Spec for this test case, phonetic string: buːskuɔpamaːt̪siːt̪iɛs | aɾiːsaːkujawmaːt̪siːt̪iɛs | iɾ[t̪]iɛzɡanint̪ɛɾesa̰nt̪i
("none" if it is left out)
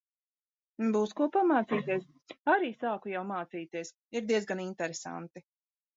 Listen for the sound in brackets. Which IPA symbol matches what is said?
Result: d̪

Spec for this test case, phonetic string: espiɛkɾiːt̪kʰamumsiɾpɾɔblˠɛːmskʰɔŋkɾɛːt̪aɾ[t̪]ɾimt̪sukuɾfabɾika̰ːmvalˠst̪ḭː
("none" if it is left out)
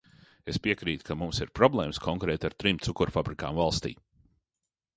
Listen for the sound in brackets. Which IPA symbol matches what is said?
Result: t̪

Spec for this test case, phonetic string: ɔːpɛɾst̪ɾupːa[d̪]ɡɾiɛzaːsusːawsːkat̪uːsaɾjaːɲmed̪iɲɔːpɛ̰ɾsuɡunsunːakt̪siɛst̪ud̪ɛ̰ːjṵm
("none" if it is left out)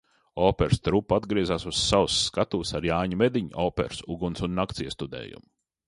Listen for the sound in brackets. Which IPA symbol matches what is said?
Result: d̪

